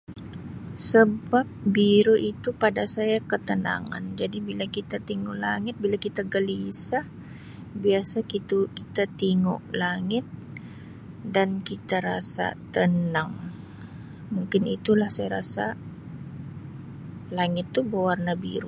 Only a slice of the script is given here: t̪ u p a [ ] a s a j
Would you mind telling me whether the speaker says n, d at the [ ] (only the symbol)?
d